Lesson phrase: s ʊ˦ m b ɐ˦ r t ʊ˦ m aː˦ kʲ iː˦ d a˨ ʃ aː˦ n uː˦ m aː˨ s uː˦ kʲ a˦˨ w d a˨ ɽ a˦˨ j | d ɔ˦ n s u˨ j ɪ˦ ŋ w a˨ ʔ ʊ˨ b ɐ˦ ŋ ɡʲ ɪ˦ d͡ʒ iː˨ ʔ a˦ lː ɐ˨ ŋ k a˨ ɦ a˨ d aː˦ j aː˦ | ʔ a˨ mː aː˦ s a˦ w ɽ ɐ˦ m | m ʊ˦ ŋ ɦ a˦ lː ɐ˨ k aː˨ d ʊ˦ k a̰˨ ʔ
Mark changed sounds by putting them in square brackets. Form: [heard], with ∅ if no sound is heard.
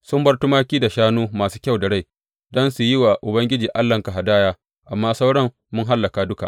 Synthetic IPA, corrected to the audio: s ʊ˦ m b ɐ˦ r t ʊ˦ m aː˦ kʲ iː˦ d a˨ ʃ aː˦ n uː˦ m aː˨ s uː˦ kʲ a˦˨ w d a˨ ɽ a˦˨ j | d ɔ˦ n s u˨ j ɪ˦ [∅] w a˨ ʔ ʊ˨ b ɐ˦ ŋ ɡʲ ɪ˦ d͡ʒ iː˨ ʔ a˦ lː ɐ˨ ŋ k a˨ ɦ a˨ d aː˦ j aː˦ | ʔ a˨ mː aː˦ s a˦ w ɽ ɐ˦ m | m ʊ˦ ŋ ɦ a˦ lː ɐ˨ k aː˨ d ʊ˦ k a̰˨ ʔ